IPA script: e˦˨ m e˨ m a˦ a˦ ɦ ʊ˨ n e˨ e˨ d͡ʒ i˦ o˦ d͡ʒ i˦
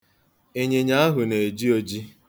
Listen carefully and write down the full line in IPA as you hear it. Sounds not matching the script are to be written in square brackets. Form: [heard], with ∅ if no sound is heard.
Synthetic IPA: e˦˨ [ɲ] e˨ [ɲ] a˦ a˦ ɦ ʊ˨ n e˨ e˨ d͡ʒ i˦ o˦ d͡ʒ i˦